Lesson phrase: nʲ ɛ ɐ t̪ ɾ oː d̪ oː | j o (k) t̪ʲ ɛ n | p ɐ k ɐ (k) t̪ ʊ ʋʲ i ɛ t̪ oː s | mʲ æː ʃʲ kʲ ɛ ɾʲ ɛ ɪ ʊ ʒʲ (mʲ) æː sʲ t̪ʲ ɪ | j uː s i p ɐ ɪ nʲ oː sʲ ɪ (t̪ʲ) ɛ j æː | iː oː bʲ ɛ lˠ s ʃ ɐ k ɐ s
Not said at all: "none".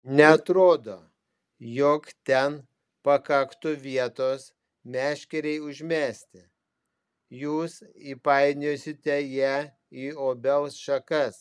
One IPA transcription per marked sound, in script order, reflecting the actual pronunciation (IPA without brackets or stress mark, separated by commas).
k, k, mʲ, t̪ʲ